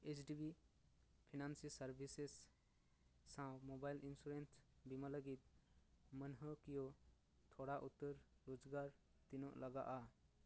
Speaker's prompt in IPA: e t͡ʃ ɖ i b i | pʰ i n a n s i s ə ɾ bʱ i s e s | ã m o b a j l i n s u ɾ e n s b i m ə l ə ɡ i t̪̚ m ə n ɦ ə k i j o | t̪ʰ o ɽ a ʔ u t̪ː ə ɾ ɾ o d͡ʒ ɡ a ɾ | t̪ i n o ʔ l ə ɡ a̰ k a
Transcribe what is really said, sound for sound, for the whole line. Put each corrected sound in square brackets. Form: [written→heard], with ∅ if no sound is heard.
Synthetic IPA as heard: e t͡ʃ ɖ i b i | pʰ i n a n s i s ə ɾ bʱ i s e s | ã m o b a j l i n s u ɾ e n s b i m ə l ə ɡ i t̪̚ m ə n ɦ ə k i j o | t̪ʰ o ɽ a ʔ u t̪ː ə ɾ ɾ o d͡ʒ ɡ a ɾ | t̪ i n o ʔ l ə ɡ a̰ [k→ʔ] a